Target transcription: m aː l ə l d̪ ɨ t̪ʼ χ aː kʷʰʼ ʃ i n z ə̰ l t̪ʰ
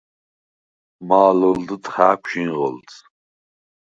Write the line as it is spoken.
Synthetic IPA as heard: m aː l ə l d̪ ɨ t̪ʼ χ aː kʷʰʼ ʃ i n ʁ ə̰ l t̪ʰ